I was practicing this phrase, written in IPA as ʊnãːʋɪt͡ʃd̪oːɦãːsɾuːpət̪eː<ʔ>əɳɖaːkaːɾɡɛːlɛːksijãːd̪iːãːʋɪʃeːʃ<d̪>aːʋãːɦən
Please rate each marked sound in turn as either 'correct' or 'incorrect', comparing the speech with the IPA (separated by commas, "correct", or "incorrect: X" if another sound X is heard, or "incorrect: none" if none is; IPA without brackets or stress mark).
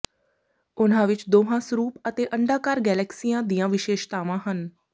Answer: correct, incorrect: t̪